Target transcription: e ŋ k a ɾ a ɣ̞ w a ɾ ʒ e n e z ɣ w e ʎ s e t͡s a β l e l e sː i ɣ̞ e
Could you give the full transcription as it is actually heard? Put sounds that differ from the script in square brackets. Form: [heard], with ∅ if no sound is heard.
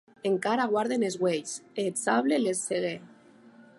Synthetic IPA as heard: e ŋ k a ɾ a ɣ̞ w a ɾ [ð] e n e z ɣ w e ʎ s e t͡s a β l e l e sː [e] ɣ̞ e

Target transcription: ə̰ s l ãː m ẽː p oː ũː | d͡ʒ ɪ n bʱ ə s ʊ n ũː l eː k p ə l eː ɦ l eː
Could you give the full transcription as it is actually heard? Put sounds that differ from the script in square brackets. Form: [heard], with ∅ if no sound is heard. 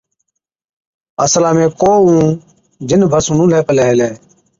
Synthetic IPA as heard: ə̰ s l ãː m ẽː [k] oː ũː | d͡ʒ ɪ n bʱ ə s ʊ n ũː l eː [∅] p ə l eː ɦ l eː

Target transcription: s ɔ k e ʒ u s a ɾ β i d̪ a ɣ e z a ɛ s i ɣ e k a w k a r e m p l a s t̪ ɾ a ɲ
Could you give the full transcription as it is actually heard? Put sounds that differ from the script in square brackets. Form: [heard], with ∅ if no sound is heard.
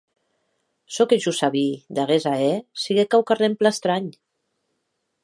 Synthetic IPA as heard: s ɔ k e ʒ u s a [∅] β i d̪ a ɣ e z a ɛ s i ɣ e k a w k a r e m p l a s t̪ ɾ a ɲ

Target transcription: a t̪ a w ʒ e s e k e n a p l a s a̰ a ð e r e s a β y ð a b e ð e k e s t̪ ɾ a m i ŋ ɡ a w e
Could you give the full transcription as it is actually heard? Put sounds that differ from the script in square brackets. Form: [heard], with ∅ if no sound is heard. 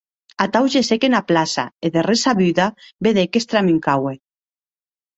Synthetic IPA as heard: a t̪ a w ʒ e s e k e n a p l a s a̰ [e] ð e r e s a β y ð a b e ð e k e s t̪ ɾ a m i ŋ [k] a w e

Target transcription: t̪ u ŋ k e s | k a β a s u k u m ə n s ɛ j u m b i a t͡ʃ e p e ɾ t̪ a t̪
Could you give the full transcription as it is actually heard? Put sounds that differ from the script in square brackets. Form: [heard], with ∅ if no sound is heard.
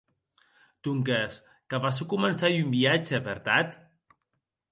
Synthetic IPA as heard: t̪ u ŋ k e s | k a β a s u k u m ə n s [a] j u m b i a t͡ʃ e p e ɾ t̪ a t̪

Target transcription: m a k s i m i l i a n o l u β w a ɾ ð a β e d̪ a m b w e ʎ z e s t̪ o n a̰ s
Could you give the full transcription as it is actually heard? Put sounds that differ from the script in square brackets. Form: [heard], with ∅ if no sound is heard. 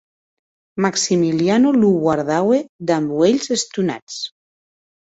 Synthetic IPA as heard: m a k s i m i l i a n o l u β w a ɾ ð a [w] e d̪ a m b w e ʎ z e s t̪ [u] n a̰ [t͡s]

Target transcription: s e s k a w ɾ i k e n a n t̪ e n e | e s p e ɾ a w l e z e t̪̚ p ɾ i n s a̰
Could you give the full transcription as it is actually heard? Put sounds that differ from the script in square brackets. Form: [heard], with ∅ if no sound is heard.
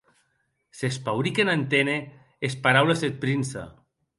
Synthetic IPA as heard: s e s [p] a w ɾ i k e n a n t̪ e n e | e s p [a] ɾ a w l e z e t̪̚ p ɾ i n s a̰

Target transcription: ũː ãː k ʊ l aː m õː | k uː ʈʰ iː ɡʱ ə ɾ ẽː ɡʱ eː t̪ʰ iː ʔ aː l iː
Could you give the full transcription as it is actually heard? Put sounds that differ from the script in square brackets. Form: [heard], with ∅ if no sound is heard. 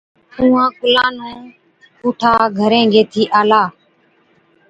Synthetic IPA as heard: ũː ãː k ʊ l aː [n] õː | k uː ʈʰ [aː] ɡʱ ə ɾ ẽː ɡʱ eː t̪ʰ iː ʔ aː l [aː]

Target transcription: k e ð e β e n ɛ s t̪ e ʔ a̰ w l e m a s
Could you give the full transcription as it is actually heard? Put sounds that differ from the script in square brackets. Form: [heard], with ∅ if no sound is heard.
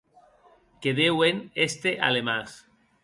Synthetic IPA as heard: k e ð e [w] e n [e] s t̪ e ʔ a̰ [∅] l e m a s

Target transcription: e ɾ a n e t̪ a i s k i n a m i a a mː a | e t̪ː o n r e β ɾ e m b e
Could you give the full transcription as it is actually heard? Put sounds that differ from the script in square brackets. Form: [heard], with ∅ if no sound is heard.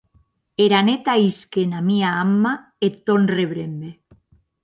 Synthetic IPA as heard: e ɾ a n e t̪ a i s k [e] n a m i a a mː a | e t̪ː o n r e β ɾ e m b e

